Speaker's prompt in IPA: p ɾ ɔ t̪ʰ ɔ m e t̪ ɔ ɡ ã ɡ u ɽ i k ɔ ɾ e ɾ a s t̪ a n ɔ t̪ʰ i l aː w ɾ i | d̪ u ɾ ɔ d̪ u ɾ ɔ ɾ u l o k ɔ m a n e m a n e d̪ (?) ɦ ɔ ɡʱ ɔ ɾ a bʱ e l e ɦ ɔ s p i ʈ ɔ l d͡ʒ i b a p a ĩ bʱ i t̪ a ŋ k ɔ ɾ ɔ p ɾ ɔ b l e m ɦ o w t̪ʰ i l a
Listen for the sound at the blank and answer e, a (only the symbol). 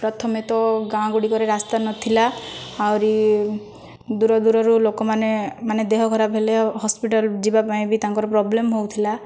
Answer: e